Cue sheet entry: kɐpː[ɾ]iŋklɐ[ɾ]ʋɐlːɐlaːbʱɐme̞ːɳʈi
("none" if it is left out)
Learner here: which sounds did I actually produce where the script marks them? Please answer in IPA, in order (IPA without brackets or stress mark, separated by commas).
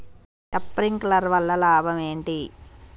ɾ, ɾ